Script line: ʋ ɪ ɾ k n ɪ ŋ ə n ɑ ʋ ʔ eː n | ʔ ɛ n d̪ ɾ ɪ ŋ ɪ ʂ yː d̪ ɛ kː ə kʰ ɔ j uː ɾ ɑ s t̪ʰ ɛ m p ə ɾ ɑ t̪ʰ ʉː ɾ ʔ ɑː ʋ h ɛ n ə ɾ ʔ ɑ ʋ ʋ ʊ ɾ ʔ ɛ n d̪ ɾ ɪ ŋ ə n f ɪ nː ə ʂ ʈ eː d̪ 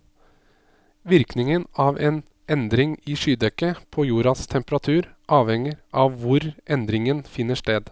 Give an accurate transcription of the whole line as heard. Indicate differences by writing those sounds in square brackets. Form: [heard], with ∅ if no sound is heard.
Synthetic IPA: ʋ ɪ ɾ k n ɪ ŋ ə n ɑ ʋ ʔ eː n | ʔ ɛ n d̪ ɾ ɪ ŋ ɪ ʂ yː d̪ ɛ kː ə [pʰ] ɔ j uː ɾ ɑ s t̪ʰ ɛ m p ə ɾ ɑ t̪ʰ ʉː ɾ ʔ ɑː ʋ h ɛ [ŋ] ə ɾ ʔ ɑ ʋ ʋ ʊ ɾ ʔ ɛ n d̪ ɾ ɪ ŋ ə n f ɪ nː ə ʂ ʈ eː d̪